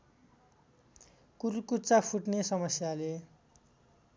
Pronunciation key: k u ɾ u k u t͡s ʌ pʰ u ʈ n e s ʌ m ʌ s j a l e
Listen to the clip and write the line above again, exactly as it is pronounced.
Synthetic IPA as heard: k u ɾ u k u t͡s a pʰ u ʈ n e s ʌ m ʌ s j a l e

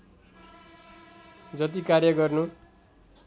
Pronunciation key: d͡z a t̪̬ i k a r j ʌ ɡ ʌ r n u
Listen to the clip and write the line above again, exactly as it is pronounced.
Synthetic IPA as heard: d͡z ʌ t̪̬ i k a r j ʌ ɡ ʌ r n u

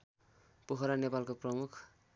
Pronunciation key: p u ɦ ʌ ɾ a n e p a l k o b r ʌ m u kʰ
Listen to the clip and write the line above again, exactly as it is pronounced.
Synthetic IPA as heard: p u ɦ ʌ ɾ a n e p a l k o p r ʌ m u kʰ

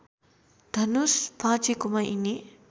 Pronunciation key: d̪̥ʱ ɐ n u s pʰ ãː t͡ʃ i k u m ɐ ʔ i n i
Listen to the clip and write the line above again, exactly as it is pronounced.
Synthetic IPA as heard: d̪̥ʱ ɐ n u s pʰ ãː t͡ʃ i k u m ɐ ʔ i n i

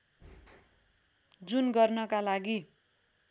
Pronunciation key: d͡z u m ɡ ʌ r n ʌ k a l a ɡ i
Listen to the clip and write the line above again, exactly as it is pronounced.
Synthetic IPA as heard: d͡z u n ɡ ʌ r n ʌ k a l a ɡ i

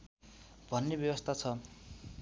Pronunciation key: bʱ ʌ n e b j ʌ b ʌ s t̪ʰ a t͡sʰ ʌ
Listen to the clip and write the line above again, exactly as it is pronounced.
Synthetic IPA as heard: bʱ ʌ nː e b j ʌ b ʌ s t̪ʰ a t͡sʰ ʌ

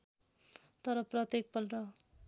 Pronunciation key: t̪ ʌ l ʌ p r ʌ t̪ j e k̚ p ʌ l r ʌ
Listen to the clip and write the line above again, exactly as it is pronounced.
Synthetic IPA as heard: t̪ ʌ ɾ ʌ p r ʌ t̪ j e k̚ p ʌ l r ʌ

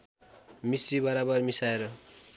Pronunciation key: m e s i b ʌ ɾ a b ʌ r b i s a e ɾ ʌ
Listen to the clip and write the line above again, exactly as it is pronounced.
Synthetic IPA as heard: m i s i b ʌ ɾ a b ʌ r m i s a e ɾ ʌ

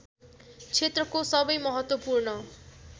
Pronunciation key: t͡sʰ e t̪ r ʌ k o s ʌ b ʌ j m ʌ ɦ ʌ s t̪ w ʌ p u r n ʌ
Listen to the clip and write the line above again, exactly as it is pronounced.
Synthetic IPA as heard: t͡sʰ e t̪ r ʌ k o s ʌ b ʌ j m ʌ ɦ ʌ t̪ w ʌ p u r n ʌ

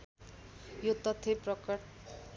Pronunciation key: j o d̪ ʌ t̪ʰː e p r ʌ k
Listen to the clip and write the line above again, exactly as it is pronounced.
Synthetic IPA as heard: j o t̪ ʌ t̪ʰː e p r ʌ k

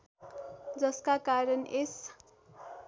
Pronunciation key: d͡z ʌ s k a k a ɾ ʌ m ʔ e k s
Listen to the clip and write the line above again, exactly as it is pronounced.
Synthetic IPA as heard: d͡z ʌ s k a k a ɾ ʌ n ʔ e s

